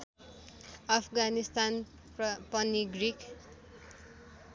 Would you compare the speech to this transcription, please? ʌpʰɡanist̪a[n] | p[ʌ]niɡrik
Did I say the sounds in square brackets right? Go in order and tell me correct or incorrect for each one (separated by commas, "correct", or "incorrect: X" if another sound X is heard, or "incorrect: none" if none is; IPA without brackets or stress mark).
correct, correct